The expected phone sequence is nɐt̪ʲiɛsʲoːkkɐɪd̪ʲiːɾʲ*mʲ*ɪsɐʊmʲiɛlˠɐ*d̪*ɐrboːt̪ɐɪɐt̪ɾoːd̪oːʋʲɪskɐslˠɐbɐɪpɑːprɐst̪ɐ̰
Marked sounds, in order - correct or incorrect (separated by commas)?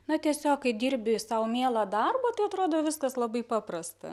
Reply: incorrect, correct